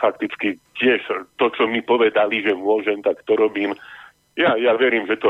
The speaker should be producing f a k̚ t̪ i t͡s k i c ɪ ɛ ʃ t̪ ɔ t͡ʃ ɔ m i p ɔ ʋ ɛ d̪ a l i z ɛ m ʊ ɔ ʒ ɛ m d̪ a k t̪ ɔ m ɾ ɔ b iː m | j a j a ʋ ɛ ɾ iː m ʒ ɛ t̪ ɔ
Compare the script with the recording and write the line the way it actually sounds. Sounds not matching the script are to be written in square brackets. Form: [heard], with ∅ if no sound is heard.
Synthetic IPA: f a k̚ t̪ i t͡s k i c ɪ ɛ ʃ t̪ ɔ t͡ʃ ɔ m i p ɔ ʋ ɛ d̪ a l i [ʒ] ɛ m ʊ ɔ ʒ ɛ m [t̪] a k t̪ ɔ [∅] ɾ ɔ b iː m | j a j a ʋ ɛ ɾ iː m ʒ ɛ t̪ ɔ